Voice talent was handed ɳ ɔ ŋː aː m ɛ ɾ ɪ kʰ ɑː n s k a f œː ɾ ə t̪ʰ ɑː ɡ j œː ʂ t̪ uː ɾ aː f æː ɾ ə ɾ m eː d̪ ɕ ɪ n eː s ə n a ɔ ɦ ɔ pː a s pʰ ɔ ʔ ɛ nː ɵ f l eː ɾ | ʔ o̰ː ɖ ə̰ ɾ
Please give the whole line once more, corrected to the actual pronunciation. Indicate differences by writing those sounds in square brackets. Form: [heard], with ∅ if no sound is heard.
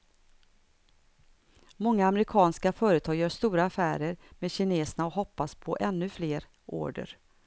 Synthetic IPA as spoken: [m] ɔ ŋː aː m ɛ ɾ ɪ kʰ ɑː n s k a f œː ɾ ə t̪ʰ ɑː ɡ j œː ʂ t̪ uː ɾ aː f æː ɾ ə ɾ m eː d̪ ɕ ɪ n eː s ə n a ɔ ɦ ɔ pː a s pʰ ɔ ʔ ɛ nː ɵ f l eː ɾ | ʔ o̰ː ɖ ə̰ ɾ

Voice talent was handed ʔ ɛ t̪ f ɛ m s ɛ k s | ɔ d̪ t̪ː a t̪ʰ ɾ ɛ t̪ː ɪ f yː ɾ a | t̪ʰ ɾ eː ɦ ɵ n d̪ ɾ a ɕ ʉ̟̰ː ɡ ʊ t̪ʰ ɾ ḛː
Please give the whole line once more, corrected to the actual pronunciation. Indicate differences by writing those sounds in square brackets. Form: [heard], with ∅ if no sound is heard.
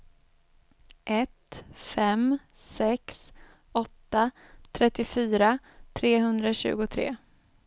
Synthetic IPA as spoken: ʔ ɛ t̪ f ɛ m s ɛ k s | ɔ [∅] t̪ː a t̪ʰ ɾ ɛ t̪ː ɪ f yː ɾ a | t̪ʰ ɾ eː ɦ ɵ n d̪ ɾ a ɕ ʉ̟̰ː ɡ ʊ t̪ʰ ɾ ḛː

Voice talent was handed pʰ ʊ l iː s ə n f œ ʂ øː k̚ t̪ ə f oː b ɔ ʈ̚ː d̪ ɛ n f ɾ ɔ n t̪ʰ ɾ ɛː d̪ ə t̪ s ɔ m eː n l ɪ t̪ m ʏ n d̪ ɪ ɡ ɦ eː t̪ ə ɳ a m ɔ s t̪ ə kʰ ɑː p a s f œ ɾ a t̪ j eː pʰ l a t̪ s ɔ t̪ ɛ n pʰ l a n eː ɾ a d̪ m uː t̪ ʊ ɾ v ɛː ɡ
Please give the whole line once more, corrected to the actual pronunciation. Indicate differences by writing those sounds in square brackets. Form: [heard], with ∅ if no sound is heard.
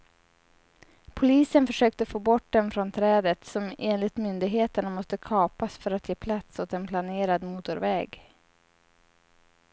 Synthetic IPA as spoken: pʰ ʊ l iː s ə n f œ ʂ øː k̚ t̪ ə f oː b ɔ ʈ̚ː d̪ ɛ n f ɾ ɔ n t̪ʰ ɾ ɛː d̪ ə t̪ s ɔ m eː n l ɪ t̪ m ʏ n d̪ ɪ ɡ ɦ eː t̪ ə ɳ a m ɔ s t̪ ə kʰ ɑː p a s f œ ɾ a t̪ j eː pʰ l a t̪ s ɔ t̪ ɛ n pʰ l a n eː ɾ a d̪ m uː t̪ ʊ ɾ v ɛː ɡ

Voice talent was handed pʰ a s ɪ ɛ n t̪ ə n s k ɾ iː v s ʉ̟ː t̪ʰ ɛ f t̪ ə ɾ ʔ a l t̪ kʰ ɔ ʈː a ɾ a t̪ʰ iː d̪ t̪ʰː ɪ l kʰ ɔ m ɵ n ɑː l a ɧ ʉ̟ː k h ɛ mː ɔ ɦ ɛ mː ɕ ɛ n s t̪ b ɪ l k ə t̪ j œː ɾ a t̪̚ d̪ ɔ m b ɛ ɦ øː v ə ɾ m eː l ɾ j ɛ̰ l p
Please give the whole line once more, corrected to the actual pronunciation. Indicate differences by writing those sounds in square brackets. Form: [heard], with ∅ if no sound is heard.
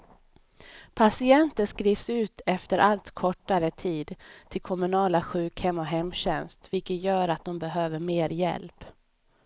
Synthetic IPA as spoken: pʰ a s ɪ ɛ n t̪ ə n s k ɾ iː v s ʉ̟ː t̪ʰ ɛ f t̪ ə ɾ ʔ a l t̪ kʰ ɔ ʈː a ɾ [ə] t̪ʰ iː d̪ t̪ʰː ɪ l kʰ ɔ m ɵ n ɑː l a ɧ ʉ̟ː k h ɛ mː ɔ ɦ ɛ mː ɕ ɛ n s t̪ [v] ɪ l k ə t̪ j œː ɾ a t̪̚ d̪ ɔ m b ɛ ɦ øː v ə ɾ m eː [∅] ɾ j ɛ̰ l p

